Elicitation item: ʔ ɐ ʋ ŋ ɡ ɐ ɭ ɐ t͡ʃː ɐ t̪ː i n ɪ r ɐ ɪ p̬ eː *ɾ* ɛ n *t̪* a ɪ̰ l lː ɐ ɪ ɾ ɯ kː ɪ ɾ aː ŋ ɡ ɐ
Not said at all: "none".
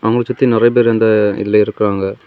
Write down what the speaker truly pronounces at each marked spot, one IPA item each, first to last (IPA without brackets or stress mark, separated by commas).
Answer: ɾ, d̪